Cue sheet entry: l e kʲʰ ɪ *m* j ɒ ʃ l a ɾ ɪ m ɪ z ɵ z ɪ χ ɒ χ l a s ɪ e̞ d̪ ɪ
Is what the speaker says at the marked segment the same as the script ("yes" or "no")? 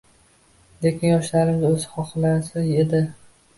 no